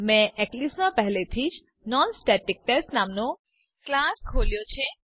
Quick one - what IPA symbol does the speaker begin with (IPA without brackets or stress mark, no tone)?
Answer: m